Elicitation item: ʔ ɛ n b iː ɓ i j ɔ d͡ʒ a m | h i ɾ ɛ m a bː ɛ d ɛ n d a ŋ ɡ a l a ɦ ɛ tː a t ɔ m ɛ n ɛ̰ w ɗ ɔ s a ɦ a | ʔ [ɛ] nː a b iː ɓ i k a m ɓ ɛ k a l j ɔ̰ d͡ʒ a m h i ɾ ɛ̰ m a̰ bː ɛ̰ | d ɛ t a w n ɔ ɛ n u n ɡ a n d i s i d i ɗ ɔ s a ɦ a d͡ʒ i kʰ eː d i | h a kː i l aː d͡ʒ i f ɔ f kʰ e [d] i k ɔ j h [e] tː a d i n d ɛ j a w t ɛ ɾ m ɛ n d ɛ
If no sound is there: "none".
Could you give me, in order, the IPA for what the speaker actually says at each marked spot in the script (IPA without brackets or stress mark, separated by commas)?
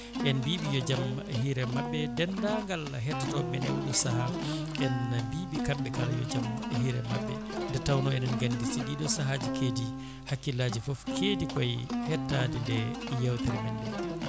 ɛ, d, ɛ